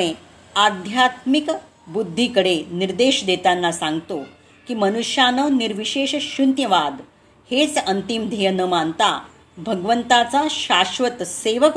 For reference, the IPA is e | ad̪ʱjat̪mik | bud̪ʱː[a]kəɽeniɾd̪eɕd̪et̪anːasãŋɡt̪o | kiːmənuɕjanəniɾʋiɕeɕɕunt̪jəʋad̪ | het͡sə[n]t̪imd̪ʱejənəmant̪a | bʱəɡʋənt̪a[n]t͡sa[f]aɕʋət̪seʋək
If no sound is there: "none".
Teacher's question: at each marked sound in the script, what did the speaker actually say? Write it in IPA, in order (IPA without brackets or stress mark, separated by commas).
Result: i, n, none, ɕ